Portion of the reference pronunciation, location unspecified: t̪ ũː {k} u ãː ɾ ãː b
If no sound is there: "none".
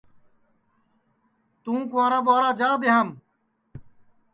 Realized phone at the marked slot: k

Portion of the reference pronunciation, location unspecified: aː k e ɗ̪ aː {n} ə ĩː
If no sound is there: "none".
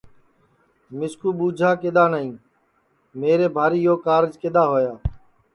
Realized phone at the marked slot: n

